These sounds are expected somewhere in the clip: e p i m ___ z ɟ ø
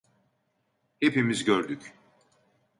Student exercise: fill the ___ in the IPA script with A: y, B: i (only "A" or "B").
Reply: B